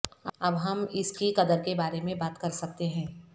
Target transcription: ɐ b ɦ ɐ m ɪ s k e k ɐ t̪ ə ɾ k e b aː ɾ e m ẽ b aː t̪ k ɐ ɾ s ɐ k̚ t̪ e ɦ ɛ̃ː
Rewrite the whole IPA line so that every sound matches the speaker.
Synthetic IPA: ɐ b ɦ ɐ m ɪ s k i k ɐ d̪ ə ɾ k e b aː ɾ e m ẽ b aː t̪ k ɐ ɾ s ɐ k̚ t̪ e ɦ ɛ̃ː